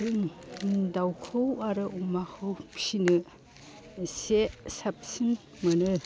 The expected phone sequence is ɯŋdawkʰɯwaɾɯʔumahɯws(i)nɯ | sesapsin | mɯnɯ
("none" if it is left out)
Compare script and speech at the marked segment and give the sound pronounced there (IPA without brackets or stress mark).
i